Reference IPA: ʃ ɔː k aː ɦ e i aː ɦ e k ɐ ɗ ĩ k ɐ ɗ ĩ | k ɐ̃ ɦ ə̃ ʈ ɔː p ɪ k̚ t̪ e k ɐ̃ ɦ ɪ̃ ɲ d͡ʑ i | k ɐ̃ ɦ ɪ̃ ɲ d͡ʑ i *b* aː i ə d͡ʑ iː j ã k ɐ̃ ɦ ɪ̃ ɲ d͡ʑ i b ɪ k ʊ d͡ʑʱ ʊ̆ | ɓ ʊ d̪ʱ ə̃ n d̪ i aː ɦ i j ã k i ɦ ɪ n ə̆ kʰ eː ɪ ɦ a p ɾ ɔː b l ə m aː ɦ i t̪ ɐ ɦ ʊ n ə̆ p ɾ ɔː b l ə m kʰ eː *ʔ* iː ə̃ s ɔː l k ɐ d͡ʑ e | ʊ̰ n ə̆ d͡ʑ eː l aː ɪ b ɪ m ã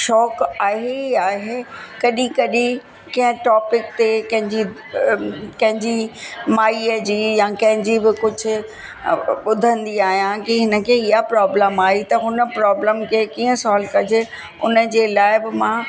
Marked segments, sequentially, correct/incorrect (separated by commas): incorrect, incorrect